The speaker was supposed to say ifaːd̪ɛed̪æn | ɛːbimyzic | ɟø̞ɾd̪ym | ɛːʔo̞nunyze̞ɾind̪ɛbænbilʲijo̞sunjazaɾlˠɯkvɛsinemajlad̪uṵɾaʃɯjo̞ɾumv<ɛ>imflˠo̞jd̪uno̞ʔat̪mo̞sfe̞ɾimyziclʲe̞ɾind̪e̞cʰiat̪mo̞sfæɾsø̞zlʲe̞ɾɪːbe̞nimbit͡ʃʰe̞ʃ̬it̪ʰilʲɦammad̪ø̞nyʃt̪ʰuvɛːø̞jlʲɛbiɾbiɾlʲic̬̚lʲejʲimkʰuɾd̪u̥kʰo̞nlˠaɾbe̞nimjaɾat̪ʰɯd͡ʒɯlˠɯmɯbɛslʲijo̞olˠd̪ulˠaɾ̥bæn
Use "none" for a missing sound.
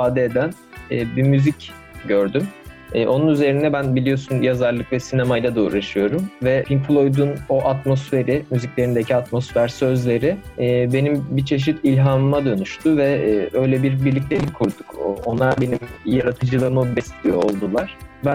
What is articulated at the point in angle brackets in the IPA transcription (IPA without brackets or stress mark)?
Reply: ɛ